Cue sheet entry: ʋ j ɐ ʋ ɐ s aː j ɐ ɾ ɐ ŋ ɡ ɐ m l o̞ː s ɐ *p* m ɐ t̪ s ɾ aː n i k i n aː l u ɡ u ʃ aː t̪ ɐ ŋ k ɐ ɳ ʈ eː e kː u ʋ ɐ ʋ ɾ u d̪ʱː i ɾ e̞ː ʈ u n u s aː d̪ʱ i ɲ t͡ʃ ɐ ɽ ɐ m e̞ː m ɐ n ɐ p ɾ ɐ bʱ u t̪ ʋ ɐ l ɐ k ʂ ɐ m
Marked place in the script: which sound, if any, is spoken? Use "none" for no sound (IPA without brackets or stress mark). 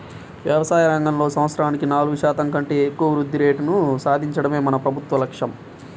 none